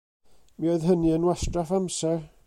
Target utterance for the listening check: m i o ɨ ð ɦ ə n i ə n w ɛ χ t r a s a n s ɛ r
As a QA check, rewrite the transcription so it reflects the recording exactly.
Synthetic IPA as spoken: m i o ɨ ð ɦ ə n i ə n w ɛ s t r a f a m s ɛ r